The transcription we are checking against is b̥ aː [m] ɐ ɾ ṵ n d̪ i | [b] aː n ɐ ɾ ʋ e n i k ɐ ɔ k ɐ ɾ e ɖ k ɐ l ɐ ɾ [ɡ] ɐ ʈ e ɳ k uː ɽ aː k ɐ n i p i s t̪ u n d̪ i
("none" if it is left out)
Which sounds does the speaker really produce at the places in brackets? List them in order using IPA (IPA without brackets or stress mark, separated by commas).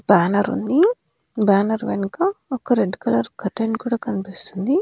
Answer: n, b, k